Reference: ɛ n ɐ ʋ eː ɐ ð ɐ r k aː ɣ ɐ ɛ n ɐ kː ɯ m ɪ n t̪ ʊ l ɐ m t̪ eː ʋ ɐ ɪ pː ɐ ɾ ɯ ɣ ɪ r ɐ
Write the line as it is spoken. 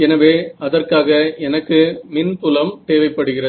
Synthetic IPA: ɛ n ɐ ʋ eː ɐ ð ɐ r k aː ɣ ɐ ɛ n ɐ kː ɯ m ɪ n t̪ ʊ l ɐ m t̪ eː ʋ ɐ ɪ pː ɐ ɽ ɯ ɣ ɪ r ɐ

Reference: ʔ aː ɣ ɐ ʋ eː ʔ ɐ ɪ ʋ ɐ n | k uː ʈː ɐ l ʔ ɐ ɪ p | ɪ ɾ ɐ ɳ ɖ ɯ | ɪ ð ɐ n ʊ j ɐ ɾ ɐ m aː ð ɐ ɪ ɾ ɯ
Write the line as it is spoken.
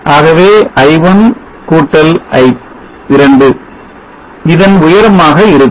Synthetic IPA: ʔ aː ɣ ɐ ʋ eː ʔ ɐ ɪ ʋ ɐ n | k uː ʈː ɐ l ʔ ɐ ɪ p | ɪ ɾ ɐ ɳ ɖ ɯ | ɪ ð ɐ n ʊ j ɐ ɾ ɐ m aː ɣ ɐ ɪ ɾ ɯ

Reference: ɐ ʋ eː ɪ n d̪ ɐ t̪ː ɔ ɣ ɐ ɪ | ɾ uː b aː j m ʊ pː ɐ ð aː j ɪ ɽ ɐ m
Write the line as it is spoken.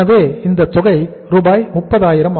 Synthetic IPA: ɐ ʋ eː ɪ n d̪ ɐ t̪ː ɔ ɣ ɐ ɪ | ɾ uː b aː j m ʊ pː ɐ ð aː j ɪ ɾ ɐ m

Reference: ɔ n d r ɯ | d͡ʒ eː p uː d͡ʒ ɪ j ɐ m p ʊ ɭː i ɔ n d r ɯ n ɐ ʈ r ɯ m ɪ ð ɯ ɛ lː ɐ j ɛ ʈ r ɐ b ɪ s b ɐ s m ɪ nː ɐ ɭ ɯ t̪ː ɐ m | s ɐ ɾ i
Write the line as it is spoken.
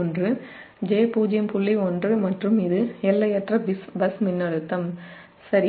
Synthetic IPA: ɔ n d r ɯ | d͡ʒ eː p uː d͡ʒ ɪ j ɐ m p ʊ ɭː i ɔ n d r ɯ m ɐ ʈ r ɯ m ɪ ð ɯ ɛ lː ɐ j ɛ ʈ r ɐ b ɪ s b ɐ s m ɪ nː ɐ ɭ ɯ t̪ː ɐ m | s ɐ ɾ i

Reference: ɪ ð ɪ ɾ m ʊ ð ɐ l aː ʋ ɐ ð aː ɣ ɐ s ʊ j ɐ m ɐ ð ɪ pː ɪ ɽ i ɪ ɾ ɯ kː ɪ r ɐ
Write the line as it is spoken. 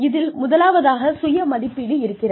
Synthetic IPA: ɪ ð ɪ l m ʊ ð ɐ l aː ʋ ɐ ð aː ɣ ɐ s ʊ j ɐ m ɐ ð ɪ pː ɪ ɽ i ɪ ɾ ɯ kː ɪ r ɐ

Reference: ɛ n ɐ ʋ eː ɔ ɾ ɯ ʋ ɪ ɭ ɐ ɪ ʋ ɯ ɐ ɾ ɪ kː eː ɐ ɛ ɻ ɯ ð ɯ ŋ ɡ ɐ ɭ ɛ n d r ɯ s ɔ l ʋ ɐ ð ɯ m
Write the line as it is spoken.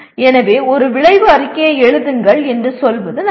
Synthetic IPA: ɛ n ɐ ʋ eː ɔ ɾ ɯ ʋ ɪ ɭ ɐ ɪ ʋ ɯ ɐ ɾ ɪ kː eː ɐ ɛ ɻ ɯ ð ɯ ŋ ɡ ɐ ɭ ɛ n d r ɯ s ɔ l ʋ ɐ ð ɯ n

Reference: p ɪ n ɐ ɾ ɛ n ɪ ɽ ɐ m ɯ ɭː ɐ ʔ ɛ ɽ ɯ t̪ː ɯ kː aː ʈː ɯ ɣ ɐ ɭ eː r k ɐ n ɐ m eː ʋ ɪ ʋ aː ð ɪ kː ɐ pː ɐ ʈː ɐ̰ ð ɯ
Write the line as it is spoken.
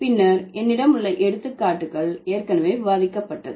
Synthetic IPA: p ɪ nː ɐ ɾ ɛ nː ɪ ɽ ɐ m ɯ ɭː ɐ ʔ ɛ ɽ ɯ t̪ː ɯ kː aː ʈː ɯ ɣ ɐ ɭ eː r k ɐ n ɐ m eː ʋ ɪ ʋ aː ð ɪ kː ɐ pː ɐ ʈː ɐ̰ ð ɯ

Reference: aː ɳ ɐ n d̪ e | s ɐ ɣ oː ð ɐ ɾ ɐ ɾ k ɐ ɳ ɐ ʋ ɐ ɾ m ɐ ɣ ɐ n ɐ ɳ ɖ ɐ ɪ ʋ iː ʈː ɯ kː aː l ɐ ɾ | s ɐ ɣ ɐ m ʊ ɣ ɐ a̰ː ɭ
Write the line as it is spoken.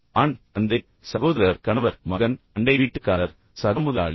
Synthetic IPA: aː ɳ ɐ n d̪ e | s ɐ ɣ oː ð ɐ ɾ ɐ ɾ k ɐ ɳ ɐ ʋ ɐ ɾ m ɐ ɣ ɐ n ɐ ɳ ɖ ɐ ɪ ʋ iː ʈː ɯ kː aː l ɐ ɾ | s ɐ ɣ ɐ m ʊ ð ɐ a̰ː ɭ

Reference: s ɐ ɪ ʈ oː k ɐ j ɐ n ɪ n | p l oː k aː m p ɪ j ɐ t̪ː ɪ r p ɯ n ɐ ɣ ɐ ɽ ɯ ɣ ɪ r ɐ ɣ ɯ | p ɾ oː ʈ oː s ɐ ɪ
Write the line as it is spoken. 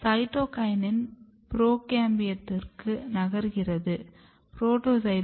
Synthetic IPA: s ɐ ɪ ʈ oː k ɐ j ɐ n ɪ n | p ɾ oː k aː m b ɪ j ɐ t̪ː ɪ r k ɯ n ɐ ɣ ɐ ɾ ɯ ɣ ɪ r ɐ ð ɯ | p ɾ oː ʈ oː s ɐ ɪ

